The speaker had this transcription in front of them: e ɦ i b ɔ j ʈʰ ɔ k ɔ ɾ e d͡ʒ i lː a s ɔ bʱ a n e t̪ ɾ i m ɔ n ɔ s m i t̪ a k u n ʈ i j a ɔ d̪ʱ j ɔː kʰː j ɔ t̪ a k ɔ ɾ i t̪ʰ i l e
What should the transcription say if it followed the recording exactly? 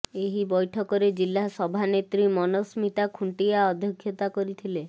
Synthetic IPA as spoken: e ɦ i b ɔ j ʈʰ ɔ k ɔ ɾ e d͡ʒ i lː a s ɔ bʱ a n e t̪ ɾ i m ɔ n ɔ s m i t̪ a kʰ u ɳ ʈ i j a ɔ d̪ʱ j ɔ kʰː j ɔ t̪ a k ɔ ɾ i t̪ʰ i l e